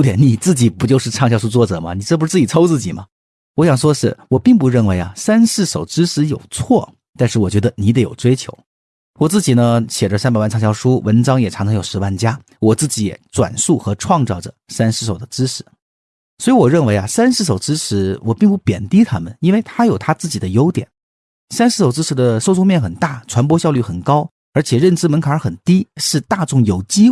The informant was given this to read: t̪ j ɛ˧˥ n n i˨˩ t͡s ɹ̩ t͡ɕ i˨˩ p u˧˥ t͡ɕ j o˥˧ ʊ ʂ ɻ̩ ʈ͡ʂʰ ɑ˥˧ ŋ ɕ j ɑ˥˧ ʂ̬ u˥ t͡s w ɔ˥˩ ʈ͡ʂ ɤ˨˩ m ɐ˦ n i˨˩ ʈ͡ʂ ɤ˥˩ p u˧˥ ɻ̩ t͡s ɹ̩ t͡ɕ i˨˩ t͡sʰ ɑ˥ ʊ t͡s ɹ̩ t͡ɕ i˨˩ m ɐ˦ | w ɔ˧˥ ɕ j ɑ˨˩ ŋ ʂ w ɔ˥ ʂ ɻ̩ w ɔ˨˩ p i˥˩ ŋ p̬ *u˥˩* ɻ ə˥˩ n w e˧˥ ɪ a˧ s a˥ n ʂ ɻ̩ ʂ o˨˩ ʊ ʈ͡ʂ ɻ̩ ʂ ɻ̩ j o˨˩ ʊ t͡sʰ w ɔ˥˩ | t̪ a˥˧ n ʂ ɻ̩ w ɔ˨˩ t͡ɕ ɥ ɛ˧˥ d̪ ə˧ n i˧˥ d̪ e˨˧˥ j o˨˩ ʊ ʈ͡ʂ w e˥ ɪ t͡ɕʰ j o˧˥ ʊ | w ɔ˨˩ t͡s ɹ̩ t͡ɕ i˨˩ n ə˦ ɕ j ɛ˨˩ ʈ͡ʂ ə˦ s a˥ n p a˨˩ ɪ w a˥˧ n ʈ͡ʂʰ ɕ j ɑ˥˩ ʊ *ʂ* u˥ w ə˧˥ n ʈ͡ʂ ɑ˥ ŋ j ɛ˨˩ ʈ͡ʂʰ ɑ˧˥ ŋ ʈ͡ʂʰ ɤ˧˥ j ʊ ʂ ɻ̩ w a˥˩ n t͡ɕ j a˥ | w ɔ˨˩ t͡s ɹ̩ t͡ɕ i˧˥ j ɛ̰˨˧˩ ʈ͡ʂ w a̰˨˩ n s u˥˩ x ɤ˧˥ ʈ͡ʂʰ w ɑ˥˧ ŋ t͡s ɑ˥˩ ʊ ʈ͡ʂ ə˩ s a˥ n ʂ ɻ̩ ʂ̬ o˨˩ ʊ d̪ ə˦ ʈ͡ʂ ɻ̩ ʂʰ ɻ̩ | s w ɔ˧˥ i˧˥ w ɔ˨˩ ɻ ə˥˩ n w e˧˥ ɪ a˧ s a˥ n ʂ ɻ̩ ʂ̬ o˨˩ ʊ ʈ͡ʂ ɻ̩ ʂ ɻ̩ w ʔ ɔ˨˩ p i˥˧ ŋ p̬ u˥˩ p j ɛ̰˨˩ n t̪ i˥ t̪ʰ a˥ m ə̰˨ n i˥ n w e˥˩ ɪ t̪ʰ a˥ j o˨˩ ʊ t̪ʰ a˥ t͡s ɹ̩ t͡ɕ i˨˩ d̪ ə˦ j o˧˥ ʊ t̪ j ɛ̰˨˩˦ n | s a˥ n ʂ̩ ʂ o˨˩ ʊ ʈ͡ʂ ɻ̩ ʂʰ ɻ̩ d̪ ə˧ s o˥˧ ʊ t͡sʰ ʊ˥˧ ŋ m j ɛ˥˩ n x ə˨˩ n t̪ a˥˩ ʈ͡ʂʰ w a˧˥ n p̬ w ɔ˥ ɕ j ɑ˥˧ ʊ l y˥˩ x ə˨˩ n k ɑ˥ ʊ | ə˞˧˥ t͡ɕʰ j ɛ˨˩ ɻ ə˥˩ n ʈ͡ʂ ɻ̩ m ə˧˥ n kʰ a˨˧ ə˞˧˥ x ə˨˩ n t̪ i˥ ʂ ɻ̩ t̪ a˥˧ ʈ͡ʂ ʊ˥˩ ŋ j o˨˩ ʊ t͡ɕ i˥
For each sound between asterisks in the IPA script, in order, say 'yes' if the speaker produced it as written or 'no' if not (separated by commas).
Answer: no, yes